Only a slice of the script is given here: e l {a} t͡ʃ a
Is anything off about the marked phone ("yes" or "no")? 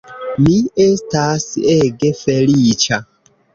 yes